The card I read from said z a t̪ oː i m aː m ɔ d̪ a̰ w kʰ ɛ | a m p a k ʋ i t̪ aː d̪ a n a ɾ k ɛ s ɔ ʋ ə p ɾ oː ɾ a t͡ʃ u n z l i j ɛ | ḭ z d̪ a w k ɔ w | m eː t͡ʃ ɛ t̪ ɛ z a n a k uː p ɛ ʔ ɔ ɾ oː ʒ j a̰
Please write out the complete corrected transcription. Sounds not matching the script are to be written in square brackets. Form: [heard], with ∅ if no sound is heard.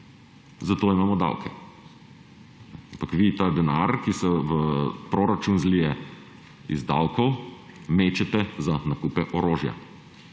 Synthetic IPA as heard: z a t̪ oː i m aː m ɔ d̪ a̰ w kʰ ɛ | a m p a k ʋ i t̪ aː d̪ [ɛ] n a ɾ k [i] s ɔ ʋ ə p ɾ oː ɾ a t͡ʃ u n z l i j ɛ | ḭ z d̪ a w k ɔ w | m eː t͡ʃ ɛ t̪ ɛ z a n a k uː p ɛ ʔ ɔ ɾ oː ʒ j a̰